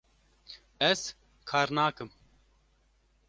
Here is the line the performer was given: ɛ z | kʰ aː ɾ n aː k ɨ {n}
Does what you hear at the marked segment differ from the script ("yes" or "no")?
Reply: yes